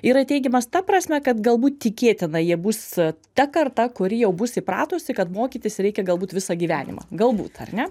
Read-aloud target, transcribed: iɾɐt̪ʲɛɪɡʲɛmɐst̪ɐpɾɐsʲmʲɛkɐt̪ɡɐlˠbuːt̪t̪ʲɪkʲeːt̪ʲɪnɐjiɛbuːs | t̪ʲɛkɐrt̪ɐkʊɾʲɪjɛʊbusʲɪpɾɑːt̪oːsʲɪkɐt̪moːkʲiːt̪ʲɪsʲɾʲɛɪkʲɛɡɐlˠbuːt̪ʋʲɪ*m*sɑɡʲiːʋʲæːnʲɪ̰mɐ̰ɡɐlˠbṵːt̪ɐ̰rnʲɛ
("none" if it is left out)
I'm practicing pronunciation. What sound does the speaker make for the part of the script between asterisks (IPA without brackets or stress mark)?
none